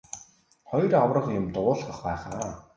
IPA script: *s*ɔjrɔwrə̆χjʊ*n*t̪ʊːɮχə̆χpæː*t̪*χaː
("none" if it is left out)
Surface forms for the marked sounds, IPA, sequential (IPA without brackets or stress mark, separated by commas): χ, m, none